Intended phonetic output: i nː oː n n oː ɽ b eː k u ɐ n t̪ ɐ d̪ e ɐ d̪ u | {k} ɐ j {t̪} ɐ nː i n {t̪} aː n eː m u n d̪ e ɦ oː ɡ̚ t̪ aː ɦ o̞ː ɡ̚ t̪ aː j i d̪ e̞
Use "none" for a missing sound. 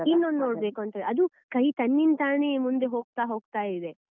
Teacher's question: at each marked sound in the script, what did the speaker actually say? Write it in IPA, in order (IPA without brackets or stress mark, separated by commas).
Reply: k, t̪, t̪